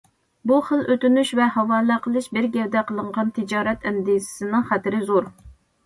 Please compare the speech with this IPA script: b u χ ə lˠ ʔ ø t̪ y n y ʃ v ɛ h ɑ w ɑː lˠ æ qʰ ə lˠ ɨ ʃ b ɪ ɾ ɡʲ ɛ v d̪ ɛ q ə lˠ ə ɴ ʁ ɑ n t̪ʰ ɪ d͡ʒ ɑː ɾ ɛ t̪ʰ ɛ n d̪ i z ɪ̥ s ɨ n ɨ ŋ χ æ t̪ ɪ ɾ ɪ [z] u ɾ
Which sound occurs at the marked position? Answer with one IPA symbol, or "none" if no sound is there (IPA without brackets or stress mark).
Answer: z